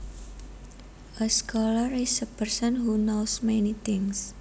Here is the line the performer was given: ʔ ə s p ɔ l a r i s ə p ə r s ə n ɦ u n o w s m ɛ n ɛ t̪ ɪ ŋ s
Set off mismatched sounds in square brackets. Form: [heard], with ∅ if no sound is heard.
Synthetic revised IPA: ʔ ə s [k] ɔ l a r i s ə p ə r s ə n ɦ u n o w s m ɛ n [i] t̪ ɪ ŋ s

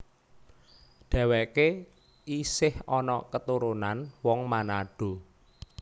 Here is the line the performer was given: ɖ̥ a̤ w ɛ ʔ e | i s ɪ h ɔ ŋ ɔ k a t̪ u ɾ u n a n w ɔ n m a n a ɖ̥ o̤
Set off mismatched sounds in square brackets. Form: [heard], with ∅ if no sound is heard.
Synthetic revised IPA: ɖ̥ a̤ w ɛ [k] e | i s ɪ h ɔ [n] ɔ k [ə] t̪ u ɾ u n a n w ɔ [ŋ] m a n a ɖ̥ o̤

